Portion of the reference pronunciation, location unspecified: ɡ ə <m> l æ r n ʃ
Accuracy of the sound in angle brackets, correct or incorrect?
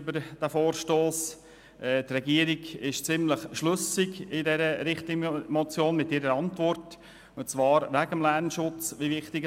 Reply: correct